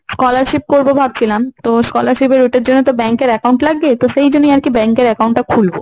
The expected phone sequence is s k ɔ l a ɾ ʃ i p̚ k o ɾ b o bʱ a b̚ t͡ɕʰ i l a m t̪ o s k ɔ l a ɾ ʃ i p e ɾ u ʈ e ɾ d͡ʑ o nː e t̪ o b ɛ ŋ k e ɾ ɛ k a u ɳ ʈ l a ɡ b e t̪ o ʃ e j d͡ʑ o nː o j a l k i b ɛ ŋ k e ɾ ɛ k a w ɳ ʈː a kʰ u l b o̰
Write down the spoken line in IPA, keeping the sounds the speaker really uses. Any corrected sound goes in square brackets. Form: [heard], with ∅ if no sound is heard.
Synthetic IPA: s k ɔ l a ɾ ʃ i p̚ k o ɾ b o bʱ a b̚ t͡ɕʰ i l a m t̪ o s k ɔ l a ɾ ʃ i p e ɾ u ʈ e ɾ d͡ʑ o nː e t̪ o b ɛ ŋ k e ɾ ɛ k a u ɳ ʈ l a ɡ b e t̪ o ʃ e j d͡ʑ o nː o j a [ɾ] k i b ɛ ŋ k e ɾ ɛ k a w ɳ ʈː a kʰ u l b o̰